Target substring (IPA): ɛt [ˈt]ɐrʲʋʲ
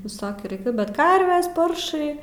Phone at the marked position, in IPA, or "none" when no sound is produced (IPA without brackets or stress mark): k